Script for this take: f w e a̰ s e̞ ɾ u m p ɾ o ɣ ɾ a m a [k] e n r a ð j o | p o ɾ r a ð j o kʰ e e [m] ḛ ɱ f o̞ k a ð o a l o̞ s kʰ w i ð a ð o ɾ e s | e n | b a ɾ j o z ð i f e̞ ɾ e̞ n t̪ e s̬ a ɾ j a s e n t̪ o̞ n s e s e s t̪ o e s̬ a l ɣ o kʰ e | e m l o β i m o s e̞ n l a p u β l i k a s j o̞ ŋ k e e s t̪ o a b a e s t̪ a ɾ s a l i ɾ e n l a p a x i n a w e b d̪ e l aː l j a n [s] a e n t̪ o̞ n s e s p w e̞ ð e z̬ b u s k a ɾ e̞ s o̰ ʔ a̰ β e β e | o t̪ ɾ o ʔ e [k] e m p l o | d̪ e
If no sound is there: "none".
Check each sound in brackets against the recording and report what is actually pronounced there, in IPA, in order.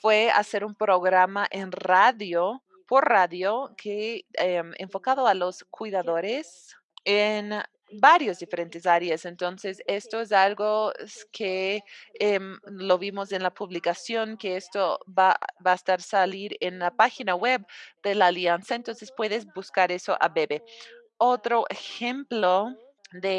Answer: ʔ, m, s, x

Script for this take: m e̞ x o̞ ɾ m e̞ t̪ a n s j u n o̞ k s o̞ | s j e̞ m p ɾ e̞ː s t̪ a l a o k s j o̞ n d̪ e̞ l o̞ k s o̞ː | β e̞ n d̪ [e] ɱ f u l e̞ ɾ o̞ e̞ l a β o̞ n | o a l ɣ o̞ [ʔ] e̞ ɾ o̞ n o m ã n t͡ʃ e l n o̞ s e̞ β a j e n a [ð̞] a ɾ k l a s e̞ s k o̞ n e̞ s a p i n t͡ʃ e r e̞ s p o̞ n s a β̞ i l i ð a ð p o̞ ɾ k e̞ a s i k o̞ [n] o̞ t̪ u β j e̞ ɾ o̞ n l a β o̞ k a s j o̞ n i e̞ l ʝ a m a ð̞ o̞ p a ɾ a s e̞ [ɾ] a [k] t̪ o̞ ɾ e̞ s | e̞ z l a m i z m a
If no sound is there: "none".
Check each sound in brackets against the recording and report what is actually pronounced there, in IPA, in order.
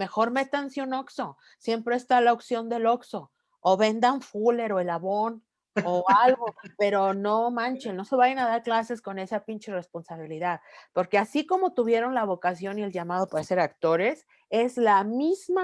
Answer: a, p, ð̞, m, ɾ, k

